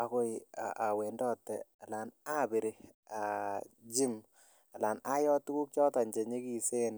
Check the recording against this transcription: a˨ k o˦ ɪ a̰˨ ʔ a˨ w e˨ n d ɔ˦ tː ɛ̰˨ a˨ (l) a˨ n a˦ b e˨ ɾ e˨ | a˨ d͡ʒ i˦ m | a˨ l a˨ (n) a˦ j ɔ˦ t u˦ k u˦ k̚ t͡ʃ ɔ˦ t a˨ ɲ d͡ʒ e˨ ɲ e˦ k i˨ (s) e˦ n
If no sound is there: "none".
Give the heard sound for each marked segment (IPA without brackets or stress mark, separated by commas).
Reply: l, n, s